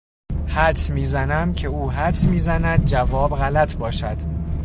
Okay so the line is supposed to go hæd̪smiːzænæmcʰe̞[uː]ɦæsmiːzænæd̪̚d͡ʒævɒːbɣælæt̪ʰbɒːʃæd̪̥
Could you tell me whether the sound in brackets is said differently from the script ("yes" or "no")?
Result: no